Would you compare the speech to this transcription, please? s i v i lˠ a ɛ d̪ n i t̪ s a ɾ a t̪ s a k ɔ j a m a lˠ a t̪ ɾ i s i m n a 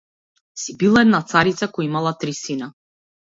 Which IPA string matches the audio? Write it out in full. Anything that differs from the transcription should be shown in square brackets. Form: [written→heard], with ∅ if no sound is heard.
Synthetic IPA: s i [v→b] i lˠ a ɛ d̪ n [i→a] t̪ s a ɾ [a→i] t̪ s a k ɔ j [a→i] m a lˠ a t̪ ɾ i s i [m→∅] n a